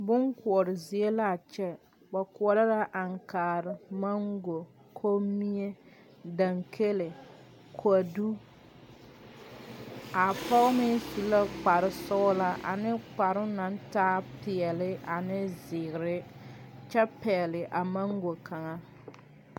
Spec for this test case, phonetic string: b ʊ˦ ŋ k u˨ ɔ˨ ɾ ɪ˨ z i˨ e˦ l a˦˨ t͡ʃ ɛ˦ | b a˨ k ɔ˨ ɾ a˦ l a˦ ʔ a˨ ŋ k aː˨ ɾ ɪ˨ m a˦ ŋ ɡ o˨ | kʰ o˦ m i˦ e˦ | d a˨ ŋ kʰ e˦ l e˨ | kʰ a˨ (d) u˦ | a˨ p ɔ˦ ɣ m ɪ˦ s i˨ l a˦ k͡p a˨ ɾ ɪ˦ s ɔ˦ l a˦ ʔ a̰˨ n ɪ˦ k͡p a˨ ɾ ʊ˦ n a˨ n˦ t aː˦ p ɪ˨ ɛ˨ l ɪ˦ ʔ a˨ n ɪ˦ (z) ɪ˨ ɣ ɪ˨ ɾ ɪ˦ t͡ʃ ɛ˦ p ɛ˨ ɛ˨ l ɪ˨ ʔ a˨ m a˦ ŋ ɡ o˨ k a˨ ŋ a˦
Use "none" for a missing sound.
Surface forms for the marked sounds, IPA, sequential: d, z

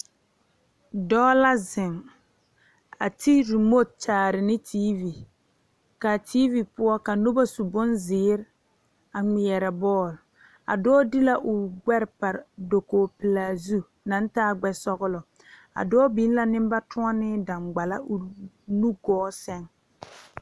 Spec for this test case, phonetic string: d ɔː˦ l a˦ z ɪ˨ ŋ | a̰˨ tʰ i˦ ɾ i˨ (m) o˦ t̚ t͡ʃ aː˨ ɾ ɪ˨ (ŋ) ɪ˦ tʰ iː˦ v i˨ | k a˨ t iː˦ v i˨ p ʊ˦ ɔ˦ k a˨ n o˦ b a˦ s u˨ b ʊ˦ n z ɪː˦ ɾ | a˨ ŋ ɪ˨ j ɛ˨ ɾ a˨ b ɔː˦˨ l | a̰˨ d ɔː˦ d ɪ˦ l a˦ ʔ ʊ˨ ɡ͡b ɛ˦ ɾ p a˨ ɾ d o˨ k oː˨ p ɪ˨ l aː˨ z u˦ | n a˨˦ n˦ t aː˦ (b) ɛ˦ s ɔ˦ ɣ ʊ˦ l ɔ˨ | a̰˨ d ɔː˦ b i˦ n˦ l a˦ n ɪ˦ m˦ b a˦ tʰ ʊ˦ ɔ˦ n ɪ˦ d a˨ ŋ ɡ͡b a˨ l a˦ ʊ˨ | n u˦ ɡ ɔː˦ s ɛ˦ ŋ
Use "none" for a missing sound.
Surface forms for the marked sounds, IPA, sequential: m, n, ɡ͡b

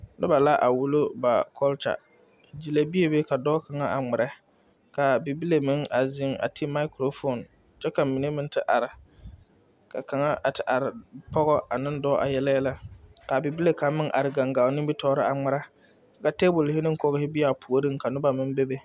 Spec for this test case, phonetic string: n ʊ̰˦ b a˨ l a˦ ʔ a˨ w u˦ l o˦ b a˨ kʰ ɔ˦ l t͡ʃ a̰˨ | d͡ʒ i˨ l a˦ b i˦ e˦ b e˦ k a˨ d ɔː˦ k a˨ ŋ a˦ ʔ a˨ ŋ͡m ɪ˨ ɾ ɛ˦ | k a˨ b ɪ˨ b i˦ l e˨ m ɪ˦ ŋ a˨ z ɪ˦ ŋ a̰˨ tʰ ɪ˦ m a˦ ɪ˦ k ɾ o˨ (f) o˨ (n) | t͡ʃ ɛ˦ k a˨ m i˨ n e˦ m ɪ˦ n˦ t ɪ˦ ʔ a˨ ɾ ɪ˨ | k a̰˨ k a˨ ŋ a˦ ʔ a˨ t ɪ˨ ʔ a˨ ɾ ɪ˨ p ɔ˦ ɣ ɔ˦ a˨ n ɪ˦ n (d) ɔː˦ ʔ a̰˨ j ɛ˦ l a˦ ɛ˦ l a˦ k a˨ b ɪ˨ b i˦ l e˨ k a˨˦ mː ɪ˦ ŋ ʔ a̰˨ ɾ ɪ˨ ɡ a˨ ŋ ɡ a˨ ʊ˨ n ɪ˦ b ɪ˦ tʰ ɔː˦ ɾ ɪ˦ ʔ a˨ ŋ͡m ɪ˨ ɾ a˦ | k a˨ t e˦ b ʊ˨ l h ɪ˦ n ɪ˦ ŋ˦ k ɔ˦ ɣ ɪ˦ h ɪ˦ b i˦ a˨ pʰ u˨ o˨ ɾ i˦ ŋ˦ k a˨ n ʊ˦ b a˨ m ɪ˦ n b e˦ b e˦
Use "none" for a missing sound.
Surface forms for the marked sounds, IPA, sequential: f, n, d

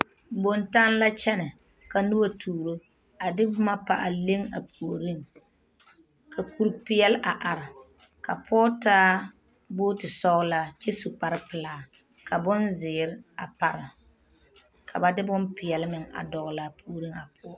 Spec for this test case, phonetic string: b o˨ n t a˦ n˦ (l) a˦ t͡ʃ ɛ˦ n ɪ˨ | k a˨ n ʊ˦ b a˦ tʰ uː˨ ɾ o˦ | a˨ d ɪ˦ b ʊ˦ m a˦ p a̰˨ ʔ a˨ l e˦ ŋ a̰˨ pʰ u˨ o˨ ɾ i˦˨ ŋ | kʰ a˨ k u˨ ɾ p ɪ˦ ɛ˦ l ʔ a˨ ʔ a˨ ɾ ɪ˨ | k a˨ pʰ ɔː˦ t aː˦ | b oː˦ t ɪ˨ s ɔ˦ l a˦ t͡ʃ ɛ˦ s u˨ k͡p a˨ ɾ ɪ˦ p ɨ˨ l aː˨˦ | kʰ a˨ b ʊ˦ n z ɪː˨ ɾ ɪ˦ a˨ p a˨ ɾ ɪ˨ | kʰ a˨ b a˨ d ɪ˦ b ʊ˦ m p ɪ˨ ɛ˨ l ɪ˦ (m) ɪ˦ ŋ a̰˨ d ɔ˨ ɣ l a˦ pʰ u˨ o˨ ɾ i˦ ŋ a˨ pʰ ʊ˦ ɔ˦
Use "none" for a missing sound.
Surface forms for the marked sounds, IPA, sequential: l, m

